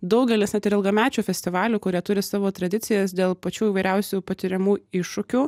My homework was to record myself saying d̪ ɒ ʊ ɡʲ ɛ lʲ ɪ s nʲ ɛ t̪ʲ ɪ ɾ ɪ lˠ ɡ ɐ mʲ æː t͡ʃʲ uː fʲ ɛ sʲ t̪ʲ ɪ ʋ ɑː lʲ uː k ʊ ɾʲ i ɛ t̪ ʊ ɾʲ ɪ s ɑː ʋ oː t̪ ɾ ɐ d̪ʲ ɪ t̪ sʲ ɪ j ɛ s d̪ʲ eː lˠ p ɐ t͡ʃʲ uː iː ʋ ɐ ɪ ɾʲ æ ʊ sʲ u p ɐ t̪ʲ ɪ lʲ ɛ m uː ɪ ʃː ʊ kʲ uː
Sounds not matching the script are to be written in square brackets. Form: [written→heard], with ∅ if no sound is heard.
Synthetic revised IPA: d̪ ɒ ʊ ɡʲ ɛ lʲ ɪ s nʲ ɛ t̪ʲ ɪ ɾ ɪ lˠ ɡ ɐ mʲ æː t͡ʃʲ uː fʲ ɛ sʲ t̪ʲ ɪ ʋ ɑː lʲ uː k ʊ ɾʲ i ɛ t̪ ʊ ɾʲ ɪ s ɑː ʋ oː t̪ ɾ ɐ d̪ʲ ɪ t̪ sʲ ɪ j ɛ s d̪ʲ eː lˠ p ɐ t͡ʃʲ uː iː ʋ ɐ ɪ ɾʲ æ ʊ sʲ u p ɐ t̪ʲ ɪ [lʲ→ɾʲ] ɛ m uː ɪ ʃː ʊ kʲ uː